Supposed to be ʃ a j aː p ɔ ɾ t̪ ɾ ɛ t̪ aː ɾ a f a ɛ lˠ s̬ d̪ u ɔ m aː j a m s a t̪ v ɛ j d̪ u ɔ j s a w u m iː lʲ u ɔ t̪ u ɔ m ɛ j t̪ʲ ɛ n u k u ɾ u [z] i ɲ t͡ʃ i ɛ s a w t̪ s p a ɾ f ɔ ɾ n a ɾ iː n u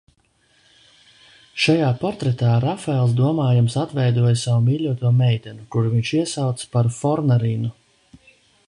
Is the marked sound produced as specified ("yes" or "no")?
no